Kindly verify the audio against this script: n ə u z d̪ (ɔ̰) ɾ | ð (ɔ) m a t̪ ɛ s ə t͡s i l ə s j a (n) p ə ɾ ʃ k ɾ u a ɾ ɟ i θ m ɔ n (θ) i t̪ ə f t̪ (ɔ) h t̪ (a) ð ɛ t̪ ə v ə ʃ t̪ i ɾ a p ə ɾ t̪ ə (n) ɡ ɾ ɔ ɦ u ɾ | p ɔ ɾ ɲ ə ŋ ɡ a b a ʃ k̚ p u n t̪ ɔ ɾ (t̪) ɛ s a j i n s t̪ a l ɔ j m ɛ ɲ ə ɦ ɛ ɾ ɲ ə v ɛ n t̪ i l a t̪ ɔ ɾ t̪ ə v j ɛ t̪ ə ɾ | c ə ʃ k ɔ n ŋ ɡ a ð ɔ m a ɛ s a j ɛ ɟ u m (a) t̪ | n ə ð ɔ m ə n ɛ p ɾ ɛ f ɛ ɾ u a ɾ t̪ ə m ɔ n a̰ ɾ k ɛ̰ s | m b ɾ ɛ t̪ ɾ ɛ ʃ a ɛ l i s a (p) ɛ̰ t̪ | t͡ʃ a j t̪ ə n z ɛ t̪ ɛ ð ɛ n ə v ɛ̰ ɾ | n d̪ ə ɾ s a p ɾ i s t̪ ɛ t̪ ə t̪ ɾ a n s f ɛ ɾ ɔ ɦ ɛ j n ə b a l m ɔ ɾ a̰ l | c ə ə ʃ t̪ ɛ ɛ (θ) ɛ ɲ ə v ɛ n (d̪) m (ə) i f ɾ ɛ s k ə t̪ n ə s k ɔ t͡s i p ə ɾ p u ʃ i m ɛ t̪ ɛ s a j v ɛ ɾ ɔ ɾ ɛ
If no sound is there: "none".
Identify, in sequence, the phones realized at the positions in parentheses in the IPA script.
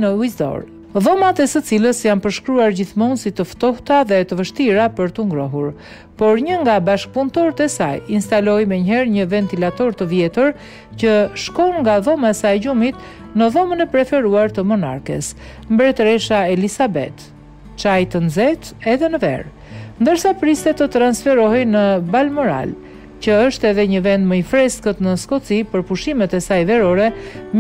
ɔ̰, ɔ, n, s, ɔ, a, ŋ, t̪, i, b, ð, d̪, ə

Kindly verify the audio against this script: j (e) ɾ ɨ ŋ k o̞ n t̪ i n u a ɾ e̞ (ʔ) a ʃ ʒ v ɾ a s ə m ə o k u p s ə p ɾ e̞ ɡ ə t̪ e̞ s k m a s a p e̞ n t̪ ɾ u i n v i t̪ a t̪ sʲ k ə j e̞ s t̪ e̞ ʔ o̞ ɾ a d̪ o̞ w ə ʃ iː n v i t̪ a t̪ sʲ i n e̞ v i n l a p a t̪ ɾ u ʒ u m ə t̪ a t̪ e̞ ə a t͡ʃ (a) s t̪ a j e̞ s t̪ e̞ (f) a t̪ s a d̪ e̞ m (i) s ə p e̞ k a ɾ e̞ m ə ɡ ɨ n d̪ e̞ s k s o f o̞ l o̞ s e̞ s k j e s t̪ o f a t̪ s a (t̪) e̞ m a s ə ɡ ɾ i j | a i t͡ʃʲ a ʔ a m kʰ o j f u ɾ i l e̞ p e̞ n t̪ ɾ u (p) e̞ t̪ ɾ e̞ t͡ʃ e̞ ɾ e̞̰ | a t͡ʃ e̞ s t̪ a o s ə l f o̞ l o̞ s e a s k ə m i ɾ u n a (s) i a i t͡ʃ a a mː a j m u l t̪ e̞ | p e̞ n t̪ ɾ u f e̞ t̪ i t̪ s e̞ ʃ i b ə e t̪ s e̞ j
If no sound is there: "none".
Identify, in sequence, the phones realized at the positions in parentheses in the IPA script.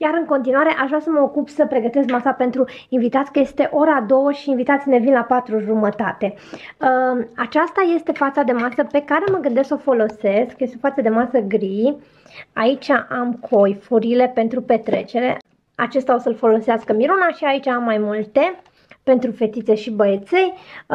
a, ʔ, a, f, a, d̪, p, ʃ

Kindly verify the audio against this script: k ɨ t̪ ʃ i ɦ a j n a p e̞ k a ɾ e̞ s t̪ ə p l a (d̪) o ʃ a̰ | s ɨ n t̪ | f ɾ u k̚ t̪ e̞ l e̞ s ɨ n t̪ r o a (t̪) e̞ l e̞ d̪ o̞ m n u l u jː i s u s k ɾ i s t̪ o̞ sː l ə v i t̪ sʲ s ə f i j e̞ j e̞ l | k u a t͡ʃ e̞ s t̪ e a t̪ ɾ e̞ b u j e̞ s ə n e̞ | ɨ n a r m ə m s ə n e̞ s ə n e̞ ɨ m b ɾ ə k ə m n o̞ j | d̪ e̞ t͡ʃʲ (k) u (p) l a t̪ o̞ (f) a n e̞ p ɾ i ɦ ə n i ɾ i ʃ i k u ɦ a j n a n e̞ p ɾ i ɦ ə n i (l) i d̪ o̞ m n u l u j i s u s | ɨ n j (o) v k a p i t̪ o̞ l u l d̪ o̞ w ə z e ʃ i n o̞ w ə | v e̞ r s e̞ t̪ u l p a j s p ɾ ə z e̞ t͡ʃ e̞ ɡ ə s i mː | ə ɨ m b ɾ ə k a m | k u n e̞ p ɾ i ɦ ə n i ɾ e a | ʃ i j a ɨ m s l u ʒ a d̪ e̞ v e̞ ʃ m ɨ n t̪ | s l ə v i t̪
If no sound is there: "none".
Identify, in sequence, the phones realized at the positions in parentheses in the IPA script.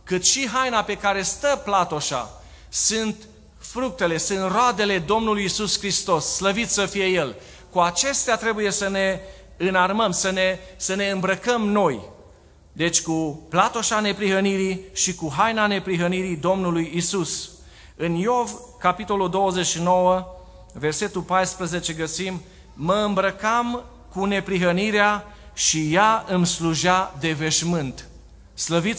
t̪, d̪, k, p, ʃ, ɾ, o

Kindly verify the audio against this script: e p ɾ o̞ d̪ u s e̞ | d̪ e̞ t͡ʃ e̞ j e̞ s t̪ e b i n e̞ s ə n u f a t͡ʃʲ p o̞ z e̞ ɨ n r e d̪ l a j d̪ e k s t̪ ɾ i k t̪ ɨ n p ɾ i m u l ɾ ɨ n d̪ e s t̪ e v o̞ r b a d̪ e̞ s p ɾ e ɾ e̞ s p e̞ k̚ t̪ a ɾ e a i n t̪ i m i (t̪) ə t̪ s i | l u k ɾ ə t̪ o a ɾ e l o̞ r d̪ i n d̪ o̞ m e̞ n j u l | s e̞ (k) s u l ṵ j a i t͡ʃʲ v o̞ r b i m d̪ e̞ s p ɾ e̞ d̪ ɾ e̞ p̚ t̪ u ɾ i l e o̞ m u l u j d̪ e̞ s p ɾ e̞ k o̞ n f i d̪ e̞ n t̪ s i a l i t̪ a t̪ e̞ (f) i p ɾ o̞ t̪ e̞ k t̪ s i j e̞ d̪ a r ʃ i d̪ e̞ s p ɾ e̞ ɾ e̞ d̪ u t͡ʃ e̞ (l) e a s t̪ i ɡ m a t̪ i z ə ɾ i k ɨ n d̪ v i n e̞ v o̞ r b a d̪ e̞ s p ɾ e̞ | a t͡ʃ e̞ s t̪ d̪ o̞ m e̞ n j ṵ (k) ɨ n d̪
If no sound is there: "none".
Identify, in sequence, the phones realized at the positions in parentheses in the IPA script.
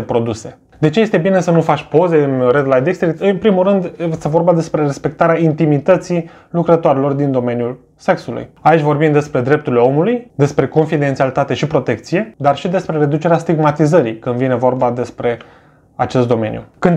t̪, k, ʃ, ɾ, k

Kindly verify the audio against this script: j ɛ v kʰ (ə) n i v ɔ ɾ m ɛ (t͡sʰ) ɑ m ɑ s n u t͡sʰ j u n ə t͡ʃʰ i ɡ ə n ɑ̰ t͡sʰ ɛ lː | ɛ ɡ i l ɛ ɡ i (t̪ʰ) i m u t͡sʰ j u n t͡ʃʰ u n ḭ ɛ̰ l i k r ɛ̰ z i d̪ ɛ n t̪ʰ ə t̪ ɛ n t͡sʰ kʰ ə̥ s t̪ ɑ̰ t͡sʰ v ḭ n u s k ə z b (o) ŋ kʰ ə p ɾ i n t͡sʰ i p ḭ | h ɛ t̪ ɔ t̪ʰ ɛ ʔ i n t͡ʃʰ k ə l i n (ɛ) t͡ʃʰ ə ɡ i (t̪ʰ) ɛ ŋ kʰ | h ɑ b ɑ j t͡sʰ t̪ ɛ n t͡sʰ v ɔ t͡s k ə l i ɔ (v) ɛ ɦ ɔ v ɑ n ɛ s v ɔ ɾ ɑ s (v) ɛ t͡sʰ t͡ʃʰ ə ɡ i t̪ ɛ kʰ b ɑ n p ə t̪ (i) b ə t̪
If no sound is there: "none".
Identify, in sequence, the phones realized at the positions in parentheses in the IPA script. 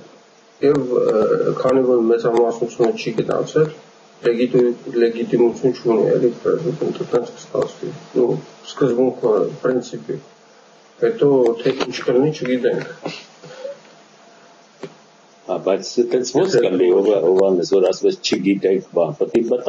ɑ, t͡s, t̪, u, i, t̪, v, v, i

